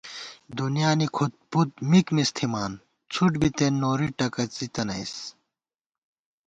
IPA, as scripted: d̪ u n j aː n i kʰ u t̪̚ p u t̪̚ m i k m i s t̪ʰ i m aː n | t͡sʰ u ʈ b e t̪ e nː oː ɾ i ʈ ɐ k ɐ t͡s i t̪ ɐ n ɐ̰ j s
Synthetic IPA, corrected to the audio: d̪ u n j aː n i kʰ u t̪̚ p u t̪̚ m i k m i s t̪ʰ i m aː n | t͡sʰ u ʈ b i t̪ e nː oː ɾ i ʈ ɐ k ɐ t͡s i t̪ ɐ n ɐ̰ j s

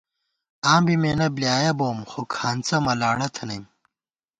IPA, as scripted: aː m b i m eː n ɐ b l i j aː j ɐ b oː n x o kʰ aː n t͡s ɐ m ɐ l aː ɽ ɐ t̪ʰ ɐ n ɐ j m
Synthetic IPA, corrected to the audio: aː m b i m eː n ɐ b l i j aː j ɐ b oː m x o kʰ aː n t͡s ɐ m ɐ l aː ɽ ɐ t̪ʰ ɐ n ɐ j m

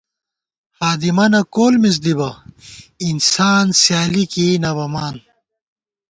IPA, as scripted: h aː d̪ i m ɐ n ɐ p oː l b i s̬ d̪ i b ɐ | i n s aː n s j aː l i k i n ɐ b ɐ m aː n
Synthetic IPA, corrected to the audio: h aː d̪ i m ɐ n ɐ k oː l m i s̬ d̪ i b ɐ | i n s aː n s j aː l i k i n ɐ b ɐ m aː n

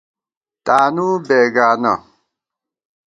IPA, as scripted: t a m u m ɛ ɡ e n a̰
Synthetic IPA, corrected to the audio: t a n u b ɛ ɡ a n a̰

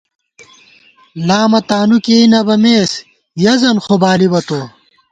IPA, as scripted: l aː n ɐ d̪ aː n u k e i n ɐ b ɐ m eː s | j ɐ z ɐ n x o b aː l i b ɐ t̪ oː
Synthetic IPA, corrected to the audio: l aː m ɐ t̪ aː n u k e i n ɐ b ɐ m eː s | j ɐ z ɐ n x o b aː l i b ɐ t̪ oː

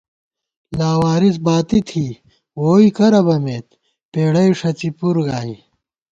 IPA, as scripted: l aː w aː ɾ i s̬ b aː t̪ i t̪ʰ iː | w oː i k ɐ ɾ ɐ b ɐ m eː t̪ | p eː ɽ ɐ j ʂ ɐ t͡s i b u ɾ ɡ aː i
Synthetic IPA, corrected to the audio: l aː w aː ɾ i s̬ b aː t̪ i t̪ʰ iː | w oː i k ɐ ɾ ɐ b ɐ m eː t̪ | p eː ɽ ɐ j ʂ ɐ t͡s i p u ɾ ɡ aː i

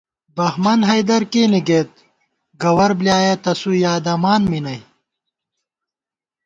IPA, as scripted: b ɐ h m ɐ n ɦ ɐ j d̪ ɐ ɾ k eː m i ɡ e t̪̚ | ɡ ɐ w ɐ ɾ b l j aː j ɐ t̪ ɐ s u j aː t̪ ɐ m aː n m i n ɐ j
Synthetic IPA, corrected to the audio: b ɐ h m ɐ n ɦ ɐ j d̪ ɐ ɾ k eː n i ɡ e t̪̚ | ɡ ɐ w ɐ ɾ b l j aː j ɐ t̪ ɐ s u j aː d̪ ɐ m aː n m i n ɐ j

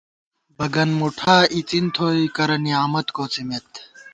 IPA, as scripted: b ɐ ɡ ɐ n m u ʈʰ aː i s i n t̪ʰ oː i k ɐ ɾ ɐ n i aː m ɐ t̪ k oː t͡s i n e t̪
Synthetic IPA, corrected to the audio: b ɐ ɡ ɐ n m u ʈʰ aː i t͡s i n t̪ʰ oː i k ɐ ɾ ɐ n i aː m ɐ t̪ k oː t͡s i m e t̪

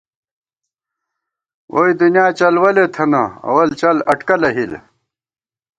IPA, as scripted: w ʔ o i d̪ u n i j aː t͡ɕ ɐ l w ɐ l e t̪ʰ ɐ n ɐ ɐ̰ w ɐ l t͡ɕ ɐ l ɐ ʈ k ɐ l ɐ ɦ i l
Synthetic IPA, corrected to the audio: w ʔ o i d̪ u n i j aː t͡ɕ ɐ l w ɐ l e t̪ʰ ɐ n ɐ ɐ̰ w ɐ l t͡ɕ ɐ l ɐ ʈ k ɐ l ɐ ɦ i l

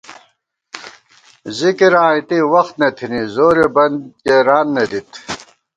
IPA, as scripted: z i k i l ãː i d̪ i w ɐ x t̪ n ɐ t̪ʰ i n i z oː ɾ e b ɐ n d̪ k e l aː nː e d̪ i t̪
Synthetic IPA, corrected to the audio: z i k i ɾ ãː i t̪ i w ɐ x t̪ n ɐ t̪ʰ i n i z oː ɾ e b ɐ n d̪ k e ɾ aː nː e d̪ i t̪

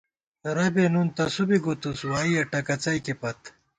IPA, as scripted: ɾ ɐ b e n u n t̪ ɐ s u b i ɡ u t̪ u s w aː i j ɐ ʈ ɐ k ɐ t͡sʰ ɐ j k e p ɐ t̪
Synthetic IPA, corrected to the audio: ɾ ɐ b e n u n t̪ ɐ s u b i ɡ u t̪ u s w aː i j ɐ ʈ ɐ k ɐ t͡s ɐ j k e p ɐ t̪

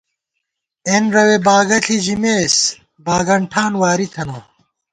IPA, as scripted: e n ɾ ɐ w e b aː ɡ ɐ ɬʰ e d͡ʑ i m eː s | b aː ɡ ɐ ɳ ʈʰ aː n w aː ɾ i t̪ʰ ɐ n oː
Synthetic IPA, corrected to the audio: e n ɾ ɐ w e b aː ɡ ɐ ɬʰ i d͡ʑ i m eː s | b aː ɡ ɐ ɳ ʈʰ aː n w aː ɾ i t̪ʰ ɐ n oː

